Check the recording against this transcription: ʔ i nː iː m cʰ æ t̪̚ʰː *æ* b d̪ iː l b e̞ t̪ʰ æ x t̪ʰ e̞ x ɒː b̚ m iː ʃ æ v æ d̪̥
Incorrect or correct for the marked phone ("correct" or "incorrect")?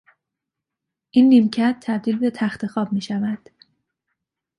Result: correct